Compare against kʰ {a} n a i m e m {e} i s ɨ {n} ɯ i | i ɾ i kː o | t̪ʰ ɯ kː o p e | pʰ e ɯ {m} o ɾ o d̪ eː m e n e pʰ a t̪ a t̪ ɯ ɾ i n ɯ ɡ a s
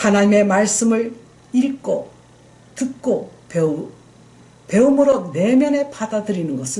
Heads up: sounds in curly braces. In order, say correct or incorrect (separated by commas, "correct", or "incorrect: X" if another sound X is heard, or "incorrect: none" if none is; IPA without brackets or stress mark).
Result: correct, incorrect: a, incorrect: m, correct